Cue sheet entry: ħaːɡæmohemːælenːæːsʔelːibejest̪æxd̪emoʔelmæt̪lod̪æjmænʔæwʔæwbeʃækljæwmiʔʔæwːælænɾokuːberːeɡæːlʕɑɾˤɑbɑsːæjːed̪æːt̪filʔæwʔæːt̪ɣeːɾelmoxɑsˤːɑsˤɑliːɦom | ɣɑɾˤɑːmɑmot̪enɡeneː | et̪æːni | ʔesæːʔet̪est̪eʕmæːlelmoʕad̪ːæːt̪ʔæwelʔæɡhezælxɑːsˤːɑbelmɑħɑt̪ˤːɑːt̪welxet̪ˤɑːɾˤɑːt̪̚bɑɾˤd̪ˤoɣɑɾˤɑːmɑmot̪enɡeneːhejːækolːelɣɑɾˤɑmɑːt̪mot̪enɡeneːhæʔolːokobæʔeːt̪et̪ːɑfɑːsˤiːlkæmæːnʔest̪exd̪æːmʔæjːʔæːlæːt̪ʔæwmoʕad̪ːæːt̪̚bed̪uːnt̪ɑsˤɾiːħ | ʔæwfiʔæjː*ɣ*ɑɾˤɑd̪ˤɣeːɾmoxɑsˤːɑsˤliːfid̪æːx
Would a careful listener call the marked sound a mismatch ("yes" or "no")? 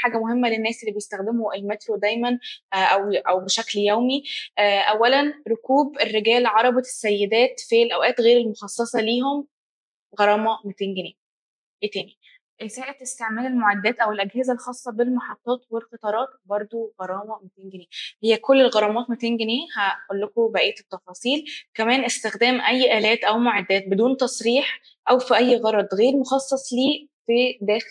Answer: no